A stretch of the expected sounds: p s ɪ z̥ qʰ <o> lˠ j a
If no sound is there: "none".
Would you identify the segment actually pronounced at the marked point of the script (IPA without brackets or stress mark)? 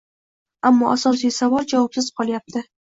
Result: ɒ